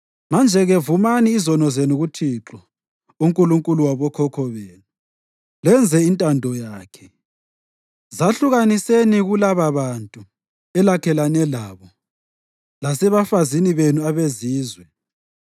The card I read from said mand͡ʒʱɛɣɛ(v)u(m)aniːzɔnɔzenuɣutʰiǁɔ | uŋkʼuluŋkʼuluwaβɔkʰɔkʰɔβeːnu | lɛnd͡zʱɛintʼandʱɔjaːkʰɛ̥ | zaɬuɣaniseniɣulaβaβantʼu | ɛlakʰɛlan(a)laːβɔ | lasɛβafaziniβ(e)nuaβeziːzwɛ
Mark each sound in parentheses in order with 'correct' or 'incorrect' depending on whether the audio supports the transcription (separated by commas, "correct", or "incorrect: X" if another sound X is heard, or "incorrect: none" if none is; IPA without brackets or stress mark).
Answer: correct, correct, incorrect: ɛ, correct